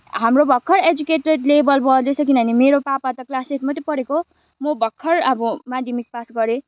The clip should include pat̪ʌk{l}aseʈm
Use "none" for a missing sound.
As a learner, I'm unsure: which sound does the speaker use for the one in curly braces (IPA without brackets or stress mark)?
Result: l